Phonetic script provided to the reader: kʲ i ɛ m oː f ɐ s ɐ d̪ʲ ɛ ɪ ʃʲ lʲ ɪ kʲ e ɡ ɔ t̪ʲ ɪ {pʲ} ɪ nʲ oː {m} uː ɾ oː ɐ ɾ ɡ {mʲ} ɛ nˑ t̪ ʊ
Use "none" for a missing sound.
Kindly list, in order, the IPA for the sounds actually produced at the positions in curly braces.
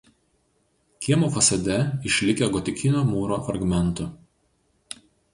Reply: kʲ, m, mʲ

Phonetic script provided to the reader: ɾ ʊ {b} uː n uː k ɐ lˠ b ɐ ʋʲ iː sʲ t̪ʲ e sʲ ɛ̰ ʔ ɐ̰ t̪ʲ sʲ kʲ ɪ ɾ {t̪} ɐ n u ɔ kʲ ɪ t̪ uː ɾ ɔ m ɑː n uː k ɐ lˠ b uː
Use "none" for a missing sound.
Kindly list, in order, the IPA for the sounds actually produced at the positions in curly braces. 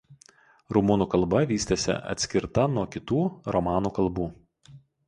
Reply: m, t̪

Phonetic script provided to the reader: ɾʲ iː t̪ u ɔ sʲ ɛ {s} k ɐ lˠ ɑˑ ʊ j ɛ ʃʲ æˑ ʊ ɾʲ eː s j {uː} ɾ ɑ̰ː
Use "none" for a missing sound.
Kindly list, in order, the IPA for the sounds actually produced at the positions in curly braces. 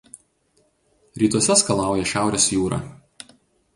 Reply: s, uː

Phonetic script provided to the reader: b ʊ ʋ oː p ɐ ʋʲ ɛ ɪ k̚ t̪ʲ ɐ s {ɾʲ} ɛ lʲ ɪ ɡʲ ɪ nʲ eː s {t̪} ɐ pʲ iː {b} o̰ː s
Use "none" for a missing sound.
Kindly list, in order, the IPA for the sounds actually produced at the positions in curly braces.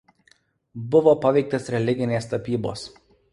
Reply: ɾʲ, t̪, b

